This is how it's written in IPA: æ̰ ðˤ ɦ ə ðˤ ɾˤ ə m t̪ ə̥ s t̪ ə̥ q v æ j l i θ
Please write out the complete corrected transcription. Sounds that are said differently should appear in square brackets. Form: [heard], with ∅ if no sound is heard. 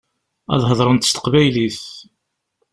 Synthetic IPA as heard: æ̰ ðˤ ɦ ə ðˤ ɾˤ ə [n] t̪ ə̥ s t̪ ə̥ q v æ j l i θ